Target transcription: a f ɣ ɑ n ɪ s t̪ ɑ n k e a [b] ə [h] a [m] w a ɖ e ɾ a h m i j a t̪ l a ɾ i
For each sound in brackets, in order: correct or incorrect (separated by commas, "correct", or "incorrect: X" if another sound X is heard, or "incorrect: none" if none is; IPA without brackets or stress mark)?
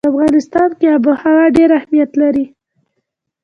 correct, correct, incorrect: none